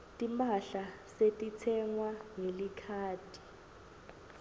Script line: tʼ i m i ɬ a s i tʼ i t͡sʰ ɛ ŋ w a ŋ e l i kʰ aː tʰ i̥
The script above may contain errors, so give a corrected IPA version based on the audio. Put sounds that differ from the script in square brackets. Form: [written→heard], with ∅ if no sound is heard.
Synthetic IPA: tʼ i m [i→a] ɬ a s [i→e] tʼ i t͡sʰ ɛ ŋ w a ŋ e l i kʰ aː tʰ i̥